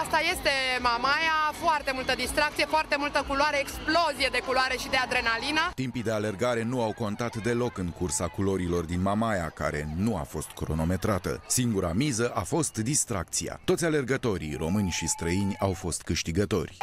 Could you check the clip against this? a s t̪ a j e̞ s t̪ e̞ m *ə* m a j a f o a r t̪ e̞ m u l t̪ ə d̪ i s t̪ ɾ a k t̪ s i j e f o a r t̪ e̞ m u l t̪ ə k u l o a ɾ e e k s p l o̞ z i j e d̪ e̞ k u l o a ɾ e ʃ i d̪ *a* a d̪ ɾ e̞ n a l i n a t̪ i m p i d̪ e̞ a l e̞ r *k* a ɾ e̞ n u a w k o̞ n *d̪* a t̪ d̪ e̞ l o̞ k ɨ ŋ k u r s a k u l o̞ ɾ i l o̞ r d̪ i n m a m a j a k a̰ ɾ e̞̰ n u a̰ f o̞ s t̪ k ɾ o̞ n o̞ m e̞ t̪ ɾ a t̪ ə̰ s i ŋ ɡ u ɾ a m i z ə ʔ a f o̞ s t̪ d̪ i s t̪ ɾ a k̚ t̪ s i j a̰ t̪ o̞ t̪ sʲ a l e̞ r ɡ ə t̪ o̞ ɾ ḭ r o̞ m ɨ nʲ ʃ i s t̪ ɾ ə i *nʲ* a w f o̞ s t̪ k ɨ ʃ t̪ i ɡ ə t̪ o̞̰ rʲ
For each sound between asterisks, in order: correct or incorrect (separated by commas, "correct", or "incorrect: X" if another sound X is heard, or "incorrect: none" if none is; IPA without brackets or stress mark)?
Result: incorrect: a, incorrect: e, incorrect: ɡ, incorrect: t̪, correct